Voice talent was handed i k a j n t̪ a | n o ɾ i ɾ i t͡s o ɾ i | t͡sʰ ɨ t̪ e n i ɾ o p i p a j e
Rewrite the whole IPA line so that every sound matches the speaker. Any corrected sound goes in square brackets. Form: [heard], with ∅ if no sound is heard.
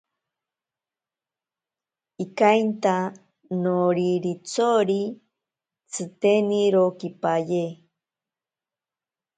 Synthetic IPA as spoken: i k a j n t̪ a | n o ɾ i ɾ i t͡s o ɾ i | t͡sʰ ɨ t̪ e n i ɾ o [k] i p a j e